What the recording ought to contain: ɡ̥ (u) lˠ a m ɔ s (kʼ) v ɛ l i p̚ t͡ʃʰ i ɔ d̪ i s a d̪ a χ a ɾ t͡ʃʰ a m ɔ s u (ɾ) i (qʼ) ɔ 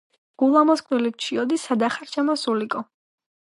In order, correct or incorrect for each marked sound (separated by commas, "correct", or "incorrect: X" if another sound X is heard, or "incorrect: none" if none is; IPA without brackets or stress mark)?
correct, correct, incorrect: l, incorrect: kʼ